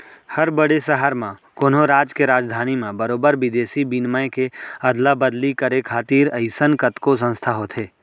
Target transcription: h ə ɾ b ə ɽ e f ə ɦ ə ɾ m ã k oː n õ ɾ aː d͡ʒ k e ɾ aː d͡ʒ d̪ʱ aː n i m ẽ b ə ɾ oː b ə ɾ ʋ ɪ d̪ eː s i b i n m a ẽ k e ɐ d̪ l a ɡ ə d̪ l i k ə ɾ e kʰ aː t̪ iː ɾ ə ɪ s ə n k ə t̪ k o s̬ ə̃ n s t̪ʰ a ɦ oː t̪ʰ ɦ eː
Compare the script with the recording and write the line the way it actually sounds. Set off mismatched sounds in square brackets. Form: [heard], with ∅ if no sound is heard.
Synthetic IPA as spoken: h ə ɾ b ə ɽ e [s] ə ɦ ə ɾ m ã k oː n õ ɾ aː d͡ʒ k e ɾ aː d͡ʒ d̪ʱ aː n i m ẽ b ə ɾ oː b ə ɾ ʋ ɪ d̪ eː s i b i n m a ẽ k e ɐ d̪ l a [b] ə d̪ l i k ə ɾ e kʰ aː t̪ iː ɾ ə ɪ s ə n k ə t̪ k o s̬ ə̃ n s t̪ʰ a ɦ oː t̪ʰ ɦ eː